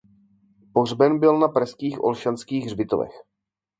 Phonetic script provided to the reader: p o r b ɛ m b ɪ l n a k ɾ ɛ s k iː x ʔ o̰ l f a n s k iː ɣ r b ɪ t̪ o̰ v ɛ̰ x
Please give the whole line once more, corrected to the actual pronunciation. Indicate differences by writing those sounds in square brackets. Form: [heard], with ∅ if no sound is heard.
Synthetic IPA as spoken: p o r b ɛ [n] b ɪ l n a [p] ɾ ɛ s k iː x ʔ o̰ l [ʃ] a n s k iː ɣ r b ɪ t̪ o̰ v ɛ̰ x